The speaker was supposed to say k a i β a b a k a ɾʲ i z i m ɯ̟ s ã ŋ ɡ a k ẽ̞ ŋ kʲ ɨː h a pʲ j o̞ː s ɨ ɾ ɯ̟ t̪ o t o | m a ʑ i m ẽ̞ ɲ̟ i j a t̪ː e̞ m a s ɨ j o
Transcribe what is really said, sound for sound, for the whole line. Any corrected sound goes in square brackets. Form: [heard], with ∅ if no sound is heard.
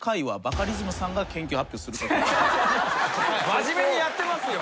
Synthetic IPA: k a i β a b a k a ɾʲ i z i m ɯ̟ s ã ŋ ɡ a k ẽ̞ ŋ kʲ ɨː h a pʲ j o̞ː s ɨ ɾ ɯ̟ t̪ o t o | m a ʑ i m [e̞] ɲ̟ i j a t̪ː e̞ m a s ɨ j o